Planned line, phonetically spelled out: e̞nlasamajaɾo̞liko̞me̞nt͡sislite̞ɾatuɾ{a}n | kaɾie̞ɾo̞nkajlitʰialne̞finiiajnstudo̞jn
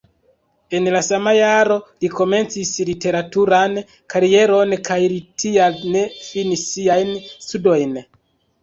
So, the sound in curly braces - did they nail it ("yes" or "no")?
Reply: yes